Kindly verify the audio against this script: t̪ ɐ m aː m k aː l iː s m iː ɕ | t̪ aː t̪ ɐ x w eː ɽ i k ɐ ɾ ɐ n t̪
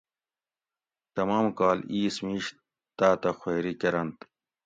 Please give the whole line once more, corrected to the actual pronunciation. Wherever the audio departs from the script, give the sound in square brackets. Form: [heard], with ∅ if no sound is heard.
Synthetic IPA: t̪ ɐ m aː m k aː l iː s m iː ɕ | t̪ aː t̪ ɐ x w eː [ɾ] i k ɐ ɾ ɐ n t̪